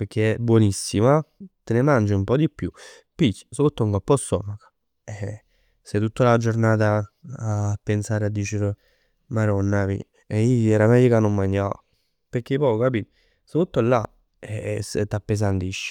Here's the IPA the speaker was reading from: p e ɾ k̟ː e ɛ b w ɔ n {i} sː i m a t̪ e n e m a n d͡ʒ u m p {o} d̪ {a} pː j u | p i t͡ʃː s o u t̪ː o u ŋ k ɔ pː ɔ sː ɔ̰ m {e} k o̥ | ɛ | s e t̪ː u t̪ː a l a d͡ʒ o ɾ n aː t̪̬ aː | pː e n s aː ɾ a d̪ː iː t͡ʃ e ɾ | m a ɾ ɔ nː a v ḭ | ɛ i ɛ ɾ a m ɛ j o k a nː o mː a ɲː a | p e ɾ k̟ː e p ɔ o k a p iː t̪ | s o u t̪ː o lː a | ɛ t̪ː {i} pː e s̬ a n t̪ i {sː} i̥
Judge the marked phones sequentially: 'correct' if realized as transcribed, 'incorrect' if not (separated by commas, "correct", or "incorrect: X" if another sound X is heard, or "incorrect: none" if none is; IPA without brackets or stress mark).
correct, incorrect: ɔ, incorrect: i, incorrect: a, incorrect: a, incorrect: ʃː